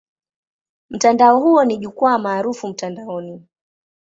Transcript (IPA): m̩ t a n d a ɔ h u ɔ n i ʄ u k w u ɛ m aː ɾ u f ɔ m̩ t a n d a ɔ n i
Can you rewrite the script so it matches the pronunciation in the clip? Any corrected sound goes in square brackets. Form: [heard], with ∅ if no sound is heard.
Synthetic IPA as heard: m̩ t a n d a ɔ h u ɔ n i ʄ u k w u [a] m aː ɾ u f [u] m̩ t a n d a ɔ n i